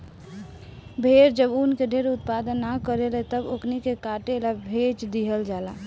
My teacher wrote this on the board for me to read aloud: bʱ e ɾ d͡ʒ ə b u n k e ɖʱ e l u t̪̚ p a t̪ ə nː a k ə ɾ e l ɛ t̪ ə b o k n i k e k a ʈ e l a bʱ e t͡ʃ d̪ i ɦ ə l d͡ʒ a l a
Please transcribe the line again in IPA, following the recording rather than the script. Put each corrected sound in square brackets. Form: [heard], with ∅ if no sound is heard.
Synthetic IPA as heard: bʱ e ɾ d͡ʒ ə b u n k e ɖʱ e [ɾ] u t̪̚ p a [d̪] ə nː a k ə ɾ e l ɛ t̪ ə b o k n i k e k a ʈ e l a bʱ e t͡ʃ d̪ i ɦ ə l d͡ʒ a l a

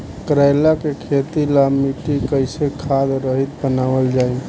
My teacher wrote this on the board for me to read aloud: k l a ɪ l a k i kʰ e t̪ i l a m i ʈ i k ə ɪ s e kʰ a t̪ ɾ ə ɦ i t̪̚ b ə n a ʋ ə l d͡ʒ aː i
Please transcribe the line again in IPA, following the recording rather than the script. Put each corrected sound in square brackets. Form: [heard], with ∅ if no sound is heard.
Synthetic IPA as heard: k [ɾ] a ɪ l a k [e] kʰ e t̪ i l a m i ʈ i k ə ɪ s e kʰ a [d̪] ɾ ə ɦ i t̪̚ b ə n a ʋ ə l d͡ʒ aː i

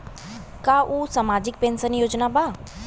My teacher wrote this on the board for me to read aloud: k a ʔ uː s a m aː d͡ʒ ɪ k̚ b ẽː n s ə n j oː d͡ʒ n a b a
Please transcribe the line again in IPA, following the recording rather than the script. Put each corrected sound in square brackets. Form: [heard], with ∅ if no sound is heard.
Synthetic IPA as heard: k a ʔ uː s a m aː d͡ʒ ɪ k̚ [p] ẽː n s ə n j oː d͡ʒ n a b a

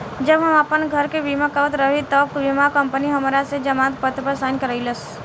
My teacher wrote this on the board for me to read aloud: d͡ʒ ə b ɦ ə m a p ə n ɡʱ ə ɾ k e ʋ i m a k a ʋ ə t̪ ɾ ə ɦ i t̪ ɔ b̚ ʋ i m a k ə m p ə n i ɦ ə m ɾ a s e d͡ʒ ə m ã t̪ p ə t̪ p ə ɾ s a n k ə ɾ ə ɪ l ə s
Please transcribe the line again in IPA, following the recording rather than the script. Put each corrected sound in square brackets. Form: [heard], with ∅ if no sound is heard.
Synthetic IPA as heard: d͡ʒ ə b ɦ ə m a p ə n ɡʱ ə ɾ k e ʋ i m a k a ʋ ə t̪ ɾ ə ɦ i t̪ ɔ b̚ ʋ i m a k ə m p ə n i ɦ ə m ɾ a s e d͡ʒ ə m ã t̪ p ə t̪ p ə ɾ s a n k ə ɾ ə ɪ l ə s

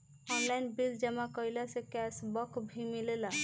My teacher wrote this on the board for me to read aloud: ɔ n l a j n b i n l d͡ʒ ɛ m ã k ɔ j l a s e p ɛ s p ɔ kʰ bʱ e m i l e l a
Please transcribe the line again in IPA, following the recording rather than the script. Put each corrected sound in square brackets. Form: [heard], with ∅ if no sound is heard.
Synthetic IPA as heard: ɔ n l a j n b i [∅] l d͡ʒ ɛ m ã k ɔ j l a s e [k] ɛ s [b] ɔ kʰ bʱ [i] m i l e l a

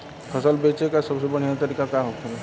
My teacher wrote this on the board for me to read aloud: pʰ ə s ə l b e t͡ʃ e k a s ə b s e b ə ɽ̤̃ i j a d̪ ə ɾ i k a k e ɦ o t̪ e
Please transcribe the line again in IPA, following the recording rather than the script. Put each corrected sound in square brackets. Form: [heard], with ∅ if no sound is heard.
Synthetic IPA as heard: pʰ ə s ə l b e t͡ʃ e k a s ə b s e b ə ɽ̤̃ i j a [t̪] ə ɾ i k a k [a] ɦ o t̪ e

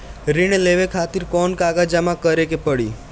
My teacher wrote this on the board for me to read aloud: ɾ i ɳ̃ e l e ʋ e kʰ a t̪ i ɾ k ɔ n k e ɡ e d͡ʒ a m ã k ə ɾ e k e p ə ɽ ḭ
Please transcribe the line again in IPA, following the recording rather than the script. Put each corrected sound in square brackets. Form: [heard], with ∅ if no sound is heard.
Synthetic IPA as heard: ɾ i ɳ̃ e l e ʋ e kʰ a t̪ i ɾ k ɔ n k [a] ɡ [a] d͡ʒ a m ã k ə ɾ e k e p ə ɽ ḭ

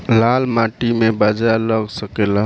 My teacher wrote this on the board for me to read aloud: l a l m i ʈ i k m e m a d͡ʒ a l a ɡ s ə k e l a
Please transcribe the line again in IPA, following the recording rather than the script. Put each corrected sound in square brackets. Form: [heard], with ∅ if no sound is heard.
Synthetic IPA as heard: l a l m [a] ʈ i [∅] m e [b] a d͡ʒ a l [ə] ɡ s ə k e l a

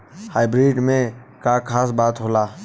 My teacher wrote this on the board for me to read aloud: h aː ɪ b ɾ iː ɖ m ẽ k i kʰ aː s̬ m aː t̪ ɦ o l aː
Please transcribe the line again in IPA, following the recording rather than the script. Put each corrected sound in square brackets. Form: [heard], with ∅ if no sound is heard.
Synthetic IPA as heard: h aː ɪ b ɾ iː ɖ m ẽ k [a] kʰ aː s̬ [b] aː t̪ ɦ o l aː

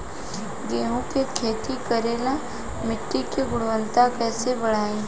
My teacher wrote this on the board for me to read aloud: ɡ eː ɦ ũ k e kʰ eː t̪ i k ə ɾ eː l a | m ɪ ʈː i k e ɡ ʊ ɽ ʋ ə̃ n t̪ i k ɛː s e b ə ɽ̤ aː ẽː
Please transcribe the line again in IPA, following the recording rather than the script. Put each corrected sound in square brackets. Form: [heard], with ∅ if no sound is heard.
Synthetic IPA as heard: ɡ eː ɦ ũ k e kʰ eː t̪ i k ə ɾ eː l a | m ɪ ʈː i k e ɡ ʊ ɽ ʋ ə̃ n t̪ [a] k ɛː s e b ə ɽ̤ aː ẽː

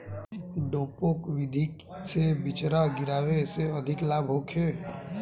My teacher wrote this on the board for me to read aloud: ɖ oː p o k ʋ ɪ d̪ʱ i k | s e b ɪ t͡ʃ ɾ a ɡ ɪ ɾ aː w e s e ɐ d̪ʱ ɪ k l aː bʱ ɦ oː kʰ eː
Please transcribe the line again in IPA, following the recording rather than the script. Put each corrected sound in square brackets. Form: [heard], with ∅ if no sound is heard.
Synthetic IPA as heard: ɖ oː p o k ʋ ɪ d̪ʱ i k | s e b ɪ t͡ʃ ɾ a ɡ ɪ ɾ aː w e s e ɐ d̪ʱ ɪ k l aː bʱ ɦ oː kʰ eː

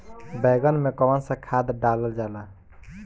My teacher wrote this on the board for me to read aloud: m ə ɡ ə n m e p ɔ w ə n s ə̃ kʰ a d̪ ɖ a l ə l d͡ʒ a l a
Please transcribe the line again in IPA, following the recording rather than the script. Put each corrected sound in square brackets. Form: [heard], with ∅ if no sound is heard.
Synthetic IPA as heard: [b] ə ɡ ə n m e [k] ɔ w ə n s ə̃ kʰ a d̪ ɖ a l ə l d͡ʒ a l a

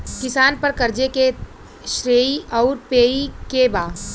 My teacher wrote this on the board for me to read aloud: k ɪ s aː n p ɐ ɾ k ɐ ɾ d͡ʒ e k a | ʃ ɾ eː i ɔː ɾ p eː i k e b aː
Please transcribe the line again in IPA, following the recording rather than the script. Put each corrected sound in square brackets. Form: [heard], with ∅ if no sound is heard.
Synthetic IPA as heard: k ɪ s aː n p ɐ ɾ k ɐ ɾ d͡ʒ e k [e] | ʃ ɾ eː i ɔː ɾ p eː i k e b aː

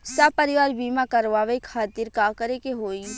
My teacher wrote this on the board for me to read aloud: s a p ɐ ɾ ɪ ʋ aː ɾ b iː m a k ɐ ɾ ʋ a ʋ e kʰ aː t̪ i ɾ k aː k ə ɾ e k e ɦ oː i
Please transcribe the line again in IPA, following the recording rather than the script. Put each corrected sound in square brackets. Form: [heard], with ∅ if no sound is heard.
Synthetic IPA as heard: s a p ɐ ɾ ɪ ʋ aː ɾ b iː m a k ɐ ɾ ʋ a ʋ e kʰ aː t̪ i ɾ k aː k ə ɾ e k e ɦ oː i

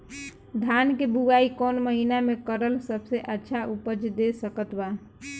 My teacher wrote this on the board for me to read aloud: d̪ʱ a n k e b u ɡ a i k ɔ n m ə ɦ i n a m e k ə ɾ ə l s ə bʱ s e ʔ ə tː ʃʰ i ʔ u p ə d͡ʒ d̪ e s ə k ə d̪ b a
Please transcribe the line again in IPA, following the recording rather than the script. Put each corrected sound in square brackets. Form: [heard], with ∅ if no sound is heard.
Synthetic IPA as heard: d̪ʱ a n k e b u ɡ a i k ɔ n m ə ɦ i n a m e k ə ɾ ə l s ə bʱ s e ʔ ə tː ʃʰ [a] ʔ u p ə d͡ʒ d̪ e s ə k ə [t̪] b a

